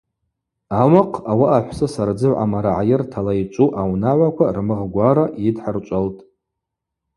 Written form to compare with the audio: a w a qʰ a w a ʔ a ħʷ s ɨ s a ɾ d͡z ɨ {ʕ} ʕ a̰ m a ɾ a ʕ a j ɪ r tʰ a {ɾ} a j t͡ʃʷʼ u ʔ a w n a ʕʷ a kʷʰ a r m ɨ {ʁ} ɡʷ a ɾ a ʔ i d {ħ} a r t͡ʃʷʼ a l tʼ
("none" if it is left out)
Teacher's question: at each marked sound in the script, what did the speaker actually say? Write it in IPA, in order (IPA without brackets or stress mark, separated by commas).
ʕ, l, ʁ, ħ